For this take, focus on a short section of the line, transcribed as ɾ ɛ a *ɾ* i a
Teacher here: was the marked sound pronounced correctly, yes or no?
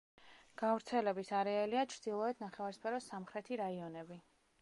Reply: no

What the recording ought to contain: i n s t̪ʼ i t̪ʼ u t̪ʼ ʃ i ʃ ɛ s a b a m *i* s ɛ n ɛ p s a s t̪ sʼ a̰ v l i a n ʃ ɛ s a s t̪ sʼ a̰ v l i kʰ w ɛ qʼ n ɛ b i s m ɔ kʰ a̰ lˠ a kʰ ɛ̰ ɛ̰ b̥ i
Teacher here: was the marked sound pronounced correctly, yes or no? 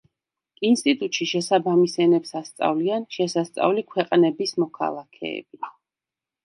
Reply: yes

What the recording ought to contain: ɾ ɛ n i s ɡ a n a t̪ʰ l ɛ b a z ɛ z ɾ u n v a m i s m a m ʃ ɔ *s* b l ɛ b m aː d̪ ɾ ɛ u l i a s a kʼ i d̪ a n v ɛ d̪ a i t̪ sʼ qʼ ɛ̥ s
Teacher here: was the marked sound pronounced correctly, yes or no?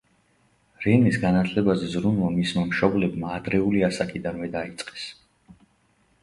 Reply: no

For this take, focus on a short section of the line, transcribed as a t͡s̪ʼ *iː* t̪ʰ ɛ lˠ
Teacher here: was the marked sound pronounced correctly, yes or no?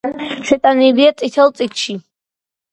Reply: no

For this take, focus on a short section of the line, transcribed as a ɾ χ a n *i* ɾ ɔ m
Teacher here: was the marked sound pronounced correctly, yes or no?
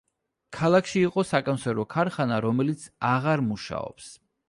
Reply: no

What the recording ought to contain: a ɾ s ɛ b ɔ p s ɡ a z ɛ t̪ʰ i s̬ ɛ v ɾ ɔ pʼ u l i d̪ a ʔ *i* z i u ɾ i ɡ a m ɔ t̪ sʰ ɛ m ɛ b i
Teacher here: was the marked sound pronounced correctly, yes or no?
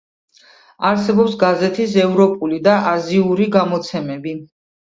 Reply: no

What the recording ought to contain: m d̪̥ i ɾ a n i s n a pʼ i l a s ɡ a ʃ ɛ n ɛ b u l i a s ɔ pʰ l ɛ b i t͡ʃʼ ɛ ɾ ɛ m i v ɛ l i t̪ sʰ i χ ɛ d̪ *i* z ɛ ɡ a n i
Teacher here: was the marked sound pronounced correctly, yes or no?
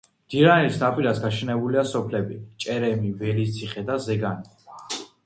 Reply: no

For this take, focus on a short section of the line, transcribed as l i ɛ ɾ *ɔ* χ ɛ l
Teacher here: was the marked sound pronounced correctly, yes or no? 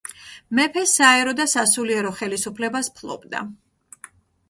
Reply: yes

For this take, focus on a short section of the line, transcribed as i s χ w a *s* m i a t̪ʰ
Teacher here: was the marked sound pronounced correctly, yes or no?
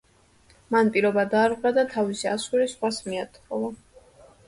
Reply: yes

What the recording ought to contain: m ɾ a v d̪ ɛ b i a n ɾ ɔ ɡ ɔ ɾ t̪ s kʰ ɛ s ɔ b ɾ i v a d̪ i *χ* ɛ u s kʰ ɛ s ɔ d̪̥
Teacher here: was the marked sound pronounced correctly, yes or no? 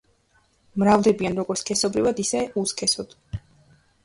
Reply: no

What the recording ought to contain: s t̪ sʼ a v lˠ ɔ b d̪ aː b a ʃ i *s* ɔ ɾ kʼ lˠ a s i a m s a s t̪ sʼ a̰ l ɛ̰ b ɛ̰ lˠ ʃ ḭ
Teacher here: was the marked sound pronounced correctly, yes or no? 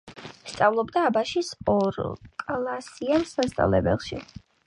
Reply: yes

